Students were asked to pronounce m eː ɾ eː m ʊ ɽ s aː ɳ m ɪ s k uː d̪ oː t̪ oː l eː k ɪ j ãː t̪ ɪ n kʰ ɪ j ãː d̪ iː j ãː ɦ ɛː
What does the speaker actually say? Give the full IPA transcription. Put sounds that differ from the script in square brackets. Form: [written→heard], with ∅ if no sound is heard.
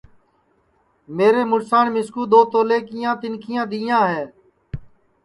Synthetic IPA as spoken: m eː ɾ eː m ʊ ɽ s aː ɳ m ɪ s k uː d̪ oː t̪ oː l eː k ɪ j ãː t̪ ɪ n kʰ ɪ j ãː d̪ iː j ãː ɦ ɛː